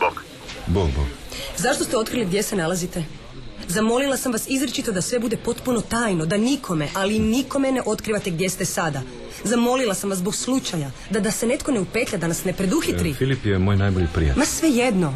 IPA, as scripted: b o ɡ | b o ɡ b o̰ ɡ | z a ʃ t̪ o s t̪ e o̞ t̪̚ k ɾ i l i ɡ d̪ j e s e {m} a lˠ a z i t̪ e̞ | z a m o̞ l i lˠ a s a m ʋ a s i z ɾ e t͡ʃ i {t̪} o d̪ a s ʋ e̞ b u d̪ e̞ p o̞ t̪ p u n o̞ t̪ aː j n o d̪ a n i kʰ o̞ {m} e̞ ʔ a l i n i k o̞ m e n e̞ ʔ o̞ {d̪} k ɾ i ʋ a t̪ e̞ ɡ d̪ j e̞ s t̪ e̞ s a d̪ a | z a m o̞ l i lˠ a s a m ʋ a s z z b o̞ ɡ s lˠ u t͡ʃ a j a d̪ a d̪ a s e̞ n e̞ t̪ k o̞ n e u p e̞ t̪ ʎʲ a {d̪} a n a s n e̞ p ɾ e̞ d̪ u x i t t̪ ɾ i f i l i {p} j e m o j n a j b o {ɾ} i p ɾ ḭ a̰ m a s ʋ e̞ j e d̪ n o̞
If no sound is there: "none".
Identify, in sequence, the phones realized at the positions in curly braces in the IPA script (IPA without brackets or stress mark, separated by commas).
n, t̪, m, t̪, d̪, p, ʎ